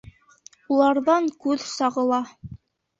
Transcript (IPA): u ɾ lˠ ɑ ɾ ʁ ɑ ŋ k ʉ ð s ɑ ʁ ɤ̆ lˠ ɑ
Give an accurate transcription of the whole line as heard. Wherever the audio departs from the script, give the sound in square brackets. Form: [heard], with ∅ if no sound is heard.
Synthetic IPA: u [∅] lˠ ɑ ɾ [ð] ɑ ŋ k ʉ ð s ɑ ʁ ɤ̆ lˠ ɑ